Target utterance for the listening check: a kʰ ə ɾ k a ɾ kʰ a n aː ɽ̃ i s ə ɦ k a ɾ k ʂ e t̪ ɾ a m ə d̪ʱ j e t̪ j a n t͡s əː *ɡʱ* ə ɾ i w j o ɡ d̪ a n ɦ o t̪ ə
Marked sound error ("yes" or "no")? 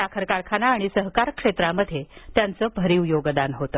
yes